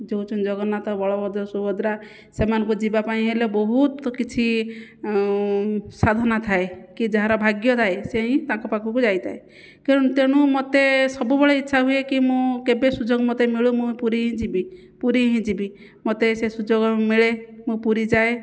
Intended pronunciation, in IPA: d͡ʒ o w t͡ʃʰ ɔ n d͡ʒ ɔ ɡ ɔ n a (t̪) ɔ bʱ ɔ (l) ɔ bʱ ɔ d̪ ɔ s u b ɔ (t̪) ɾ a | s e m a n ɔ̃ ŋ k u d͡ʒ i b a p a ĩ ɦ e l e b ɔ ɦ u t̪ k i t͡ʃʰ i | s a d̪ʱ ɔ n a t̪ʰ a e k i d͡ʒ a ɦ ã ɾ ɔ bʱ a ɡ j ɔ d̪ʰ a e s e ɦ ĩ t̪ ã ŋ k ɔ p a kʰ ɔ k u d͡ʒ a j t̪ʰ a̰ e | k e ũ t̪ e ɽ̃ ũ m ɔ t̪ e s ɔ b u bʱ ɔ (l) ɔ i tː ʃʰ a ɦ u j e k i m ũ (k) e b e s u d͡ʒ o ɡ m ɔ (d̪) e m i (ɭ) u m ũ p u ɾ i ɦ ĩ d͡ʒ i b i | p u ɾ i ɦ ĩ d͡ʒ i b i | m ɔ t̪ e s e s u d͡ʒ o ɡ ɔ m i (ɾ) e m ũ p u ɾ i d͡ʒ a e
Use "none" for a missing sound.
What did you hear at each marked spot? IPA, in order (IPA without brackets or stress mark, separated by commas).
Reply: t̪, ɭ, d̪, ɭ, k, t̪, ɭ, ɭ